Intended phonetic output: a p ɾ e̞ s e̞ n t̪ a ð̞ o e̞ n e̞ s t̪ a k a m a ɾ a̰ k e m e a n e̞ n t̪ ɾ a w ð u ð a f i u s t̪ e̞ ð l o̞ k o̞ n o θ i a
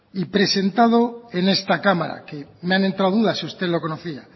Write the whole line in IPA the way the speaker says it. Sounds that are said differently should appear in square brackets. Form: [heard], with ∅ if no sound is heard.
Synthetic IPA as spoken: [i] p ɾ e̞ s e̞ n t̪ a ð̞ o e̞ n e̞ s t̪ a k a m a ɾ a̰ k e m e a n e̞ n t̪ ɾ a w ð u ð a [s] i u s t̪ e̞ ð l o̞ k o̞ n o θ i a